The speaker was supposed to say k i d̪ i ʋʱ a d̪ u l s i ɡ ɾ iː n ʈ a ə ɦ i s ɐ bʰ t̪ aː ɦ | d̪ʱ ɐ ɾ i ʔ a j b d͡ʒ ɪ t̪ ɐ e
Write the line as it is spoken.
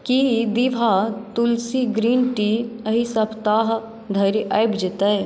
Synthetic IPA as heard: k i d̪ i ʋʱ a t̪ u l s i ɡ ɾ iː n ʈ i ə ɦ i s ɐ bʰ t̪ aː ɦ | d̪ʱ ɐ ɾ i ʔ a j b d͡ʒ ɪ t̪ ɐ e